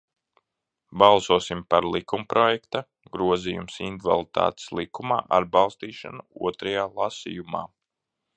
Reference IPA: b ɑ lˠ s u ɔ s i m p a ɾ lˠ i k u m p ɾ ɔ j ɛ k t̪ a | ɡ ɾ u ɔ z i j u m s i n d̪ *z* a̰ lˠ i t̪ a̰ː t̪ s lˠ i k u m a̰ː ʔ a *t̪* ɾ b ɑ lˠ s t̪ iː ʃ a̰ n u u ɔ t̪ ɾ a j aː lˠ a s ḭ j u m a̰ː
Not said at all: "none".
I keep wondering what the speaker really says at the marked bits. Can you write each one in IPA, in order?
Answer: v, none

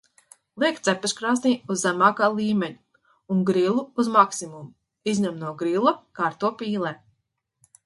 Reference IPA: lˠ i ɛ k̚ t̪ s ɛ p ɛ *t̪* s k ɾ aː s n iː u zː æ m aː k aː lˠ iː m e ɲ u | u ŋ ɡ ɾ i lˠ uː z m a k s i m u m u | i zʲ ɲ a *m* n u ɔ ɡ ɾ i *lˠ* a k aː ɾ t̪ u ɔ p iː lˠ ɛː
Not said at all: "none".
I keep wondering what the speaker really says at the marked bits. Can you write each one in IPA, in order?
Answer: none, m, lˠ

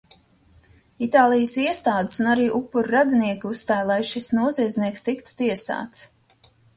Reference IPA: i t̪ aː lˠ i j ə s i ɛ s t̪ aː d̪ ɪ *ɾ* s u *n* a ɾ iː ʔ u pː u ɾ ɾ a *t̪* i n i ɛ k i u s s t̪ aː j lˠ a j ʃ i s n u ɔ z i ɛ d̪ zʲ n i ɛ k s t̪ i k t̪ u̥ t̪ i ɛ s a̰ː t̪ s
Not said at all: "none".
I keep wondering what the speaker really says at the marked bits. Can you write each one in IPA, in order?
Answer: none, n, d̪

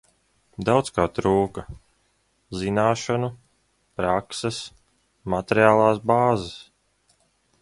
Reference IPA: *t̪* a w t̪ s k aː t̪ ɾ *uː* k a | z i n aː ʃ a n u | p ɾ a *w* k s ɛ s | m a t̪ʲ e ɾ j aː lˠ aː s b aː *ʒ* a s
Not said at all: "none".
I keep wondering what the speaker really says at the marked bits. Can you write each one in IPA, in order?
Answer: d̪, uː, none, z

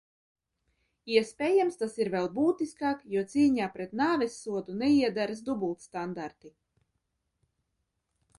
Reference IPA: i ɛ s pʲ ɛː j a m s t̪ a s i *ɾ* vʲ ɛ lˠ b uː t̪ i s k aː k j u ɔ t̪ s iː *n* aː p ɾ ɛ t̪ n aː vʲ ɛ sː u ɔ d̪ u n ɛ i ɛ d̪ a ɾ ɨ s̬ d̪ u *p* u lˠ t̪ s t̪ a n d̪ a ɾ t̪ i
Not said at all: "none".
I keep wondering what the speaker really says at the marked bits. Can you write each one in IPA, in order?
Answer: ɾ, ɲ, b

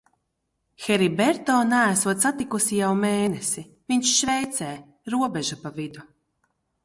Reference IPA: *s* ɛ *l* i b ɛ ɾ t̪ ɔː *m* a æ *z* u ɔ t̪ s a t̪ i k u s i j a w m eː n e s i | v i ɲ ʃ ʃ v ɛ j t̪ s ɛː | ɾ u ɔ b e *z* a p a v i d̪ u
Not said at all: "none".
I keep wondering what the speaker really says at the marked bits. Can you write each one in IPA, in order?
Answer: x, ɾ, n, s, ʒ

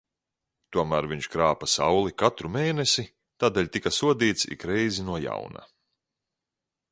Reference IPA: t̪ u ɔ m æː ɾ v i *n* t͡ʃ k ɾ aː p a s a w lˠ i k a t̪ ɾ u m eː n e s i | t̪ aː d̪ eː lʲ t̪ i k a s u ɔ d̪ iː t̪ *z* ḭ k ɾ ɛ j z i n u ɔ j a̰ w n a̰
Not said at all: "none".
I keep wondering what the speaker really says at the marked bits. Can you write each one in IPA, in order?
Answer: ɲ, s

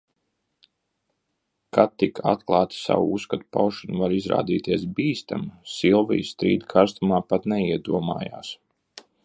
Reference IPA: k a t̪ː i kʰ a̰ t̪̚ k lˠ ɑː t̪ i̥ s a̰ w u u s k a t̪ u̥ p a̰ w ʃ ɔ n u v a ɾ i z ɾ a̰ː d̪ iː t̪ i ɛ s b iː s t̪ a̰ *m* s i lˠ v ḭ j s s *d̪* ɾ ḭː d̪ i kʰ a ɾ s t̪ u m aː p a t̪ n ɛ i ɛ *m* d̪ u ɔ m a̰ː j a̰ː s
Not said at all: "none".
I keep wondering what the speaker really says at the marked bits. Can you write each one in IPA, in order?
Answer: m, t̪, none

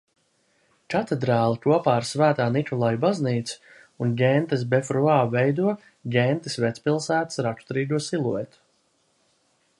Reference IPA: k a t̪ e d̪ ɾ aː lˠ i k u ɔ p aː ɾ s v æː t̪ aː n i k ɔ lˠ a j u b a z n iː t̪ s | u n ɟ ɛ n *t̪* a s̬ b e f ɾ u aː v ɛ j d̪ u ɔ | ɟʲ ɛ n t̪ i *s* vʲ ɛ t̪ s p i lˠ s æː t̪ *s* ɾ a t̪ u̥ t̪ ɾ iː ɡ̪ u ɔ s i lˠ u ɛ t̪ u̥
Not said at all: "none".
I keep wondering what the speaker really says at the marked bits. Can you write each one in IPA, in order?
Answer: t̪, s, s

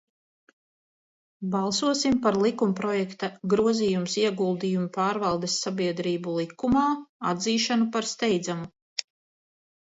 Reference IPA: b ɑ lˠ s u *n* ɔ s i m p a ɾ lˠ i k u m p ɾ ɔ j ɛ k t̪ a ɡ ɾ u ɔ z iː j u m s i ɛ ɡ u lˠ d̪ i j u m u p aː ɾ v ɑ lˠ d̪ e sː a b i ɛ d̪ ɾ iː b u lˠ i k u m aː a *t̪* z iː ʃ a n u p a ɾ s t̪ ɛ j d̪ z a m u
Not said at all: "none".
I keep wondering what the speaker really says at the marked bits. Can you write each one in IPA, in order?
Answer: none, d̪

